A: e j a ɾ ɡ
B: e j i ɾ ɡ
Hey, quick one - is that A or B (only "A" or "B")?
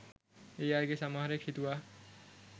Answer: A